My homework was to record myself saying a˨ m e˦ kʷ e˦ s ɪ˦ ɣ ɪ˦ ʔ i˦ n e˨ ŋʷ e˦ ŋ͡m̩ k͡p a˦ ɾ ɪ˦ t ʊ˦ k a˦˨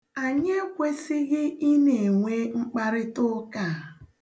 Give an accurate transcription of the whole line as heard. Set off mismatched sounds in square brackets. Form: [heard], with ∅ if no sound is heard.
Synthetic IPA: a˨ [ɲ] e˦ kʷ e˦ s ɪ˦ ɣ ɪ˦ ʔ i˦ n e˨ ŋʷ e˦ ŋ͡m̩ k͡p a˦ ɾ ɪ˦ t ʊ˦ k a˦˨

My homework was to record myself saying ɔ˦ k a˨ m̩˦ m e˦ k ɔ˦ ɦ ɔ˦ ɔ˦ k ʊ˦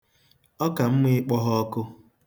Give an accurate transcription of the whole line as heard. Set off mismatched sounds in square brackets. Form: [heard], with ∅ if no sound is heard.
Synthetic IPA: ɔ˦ k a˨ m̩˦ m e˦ [k͡p] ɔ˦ ɦ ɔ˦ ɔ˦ k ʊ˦

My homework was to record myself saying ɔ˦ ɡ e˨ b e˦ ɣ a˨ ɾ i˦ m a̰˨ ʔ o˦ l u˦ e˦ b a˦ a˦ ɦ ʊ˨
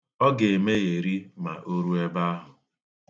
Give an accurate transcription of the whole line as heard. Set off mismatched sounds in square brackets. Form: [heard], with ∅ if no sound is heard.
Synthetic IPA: ɔ˦ ɡ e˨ [m] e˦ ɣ [e˨] ɾ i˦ m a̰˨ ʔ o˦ [ɾ] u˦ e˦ b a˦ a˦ ɦ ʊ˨

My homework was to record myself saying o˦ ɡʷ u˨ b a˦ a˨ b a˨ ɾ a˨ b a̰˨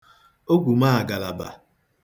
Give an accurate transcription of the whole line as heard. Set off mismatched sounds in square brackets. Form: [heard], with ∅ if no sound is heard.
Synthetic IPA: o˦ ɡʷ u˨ [m] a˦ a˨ [ɡ] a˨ [l] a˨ b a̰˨

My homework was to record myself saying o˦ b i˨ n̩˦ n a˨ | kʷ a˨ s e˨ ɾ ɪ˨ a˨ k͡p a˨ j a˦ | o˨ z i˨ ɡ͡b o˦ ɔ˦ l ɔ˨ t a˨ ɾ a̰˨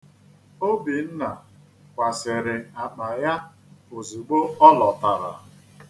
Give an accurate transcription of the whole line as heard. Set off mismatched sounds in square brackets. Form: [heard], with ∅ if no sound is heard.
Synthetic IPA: o˦ b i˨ n̩˦ n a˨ | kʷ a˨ s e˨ ɾ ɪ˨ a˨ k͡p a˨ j a˦ | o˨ z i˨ ɡ͡b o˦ ɔ˦ l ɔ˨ t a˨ ɾ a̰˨

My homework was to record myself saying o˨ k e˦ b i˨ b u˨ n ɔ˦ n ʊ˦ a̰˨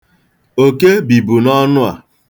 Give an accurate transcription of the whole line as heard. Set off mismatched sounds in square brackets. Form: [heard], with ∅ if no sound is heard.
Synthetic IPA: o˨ k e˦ b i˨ b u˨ n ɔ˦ n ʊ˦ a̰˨

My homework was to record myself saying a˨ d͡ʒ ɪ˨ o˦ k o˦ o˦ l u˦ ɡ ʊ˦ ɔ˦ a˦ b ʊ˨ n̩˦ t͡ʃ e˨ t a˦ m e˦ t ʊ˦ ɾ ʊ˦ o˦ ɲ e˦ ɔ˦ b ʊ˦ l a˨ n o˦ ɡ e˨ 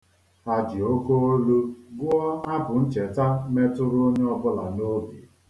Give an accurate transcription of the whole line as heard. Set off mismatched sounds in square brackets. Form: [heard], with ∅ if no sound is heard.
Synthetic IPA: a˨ d͡ʒ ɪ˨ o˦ k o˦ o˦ l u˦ ɡ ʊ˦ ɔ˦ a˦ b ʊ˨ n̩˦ t͡ʃ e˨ t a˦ m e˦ t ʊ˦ ɾ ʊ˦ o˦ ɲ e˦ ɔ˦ b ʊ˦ l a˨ n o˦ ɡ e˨

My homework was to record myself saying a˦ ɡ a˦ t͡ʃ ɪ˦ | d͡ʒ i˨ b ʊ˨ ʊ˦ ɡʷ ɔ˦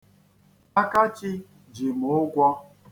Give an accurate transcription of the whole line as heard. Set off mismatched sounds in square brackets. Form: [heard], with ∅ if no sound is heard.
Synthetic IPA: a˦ [k] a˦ t͡ʃ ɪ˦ | d͡ʒ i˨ [m] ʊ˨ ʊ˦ ɡʷ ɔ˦

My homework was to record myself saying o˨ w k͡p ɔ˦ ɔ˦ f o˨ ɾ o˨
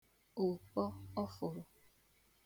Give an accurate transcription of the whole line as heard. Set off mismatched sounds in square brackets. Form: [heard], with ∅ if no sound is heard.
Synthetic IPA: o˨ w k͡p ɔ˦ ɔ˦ f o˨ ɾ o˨

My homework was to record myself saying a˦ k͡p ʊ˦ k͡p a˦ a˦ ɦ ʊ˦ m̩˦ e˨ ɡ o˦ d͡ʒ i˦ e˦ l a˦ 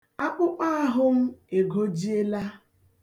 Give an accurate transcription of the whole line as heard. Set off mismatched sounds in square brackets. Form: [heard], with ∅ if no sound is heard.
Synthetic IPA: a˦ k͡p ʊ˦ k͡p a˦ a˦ ɦ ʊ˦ m̩˦ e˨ ɡ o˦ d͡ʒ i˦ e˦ l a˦

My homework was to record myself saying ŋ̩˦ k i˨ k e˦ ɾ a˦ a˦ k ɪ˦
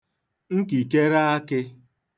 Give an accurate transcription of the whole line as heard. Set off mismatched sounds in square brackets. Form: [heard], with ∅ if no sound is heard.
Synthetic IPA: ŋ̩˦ k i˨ k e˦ ɾ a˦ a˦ k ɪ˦

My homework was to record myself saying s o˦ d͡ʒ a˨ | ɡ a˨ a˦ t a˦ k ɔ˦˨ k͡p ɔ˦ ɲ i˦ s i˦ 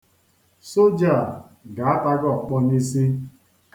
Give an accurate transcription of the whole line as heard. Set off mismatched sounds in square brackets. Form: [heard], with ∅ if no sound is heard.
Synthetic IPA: s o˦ d͡ʒ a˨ | ɡ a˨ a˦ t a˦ [ɡ] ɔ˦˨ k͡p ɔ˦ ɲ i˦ s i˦

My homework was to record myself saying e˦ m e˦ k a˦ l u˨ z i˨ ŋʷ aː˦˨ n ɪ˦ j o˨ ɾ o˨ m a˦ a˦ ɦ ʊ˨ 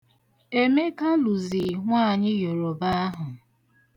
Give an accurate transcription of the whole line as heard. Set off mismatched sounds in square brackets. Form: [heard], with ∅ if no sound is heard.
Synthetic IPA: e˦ m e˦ k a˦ l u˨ z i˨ ŋʷ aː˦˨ [ɲ] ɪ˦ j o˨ ɾ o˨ [b] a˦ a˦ ɦ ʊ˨

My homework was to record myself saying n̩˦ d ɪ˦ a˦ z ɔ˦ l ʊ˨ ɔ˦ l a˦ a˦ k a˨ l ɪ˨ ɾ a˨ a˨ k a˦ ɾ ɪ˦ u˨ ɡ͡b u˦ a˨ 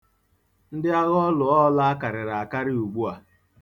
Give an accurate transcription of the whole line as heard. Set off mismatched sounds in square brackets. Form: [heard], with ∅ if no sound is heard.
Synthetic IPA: n̩˦ d ɪ˦ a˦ [ɣ] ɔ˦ l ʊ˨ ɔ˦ l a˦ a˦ k a˨ [ɾ] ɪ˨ ɾ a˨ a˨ k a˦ ɾ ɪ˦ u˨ ɡ͡b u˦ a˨

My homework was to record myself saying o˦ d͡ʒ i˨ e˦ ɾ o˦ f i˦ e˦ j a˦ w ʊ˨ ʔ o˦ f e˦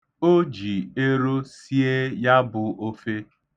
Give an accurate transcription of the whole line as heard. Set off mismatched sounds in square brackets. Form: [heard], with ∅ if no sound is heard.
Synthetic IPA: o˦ d͡ʒ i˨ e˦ ɾ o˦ [s] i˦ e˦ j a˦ [b] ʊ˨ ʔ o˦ f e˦

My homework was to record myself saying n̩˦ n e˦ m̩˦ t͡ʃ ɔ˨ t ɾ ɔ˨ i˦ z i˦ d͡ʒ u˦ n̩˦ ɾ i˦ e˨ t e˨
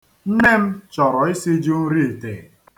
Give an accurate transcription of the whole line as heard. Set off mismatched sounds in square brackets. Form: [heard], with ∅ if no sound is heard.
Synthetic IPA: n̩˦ n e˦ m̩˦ t͡ʃ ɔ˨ [∅] ɾ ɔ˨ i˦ [s] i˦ d͡ʒ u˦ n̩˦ ɾ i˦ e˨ t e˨

